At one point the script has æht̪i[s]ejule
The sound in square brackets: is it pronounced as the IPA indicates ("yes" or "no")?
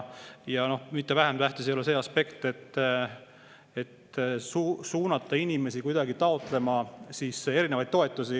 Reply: yes